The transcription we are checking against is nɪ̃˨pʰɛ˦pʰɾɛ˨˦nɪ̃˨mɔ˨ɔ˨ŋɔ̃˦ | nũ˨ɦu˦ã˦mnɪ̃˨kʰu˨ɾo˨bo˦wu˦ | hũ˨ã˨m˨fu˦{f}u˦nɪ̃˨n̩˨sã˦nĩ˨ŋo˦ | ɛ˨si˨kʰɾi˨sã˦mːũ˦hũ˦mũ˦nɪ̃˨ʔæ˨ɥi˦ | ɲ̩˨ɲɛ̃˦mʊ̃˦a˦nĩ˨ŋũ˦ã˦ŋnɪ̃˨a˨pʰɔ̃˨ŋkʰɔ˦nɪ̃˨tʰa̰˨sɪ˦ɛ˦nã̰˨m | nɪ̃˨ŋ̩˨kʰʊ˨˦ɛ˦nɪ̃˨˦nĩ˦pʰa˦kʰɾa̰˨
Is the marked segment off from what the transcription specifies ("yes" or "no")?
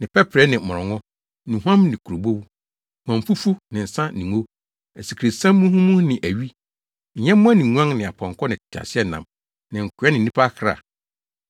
no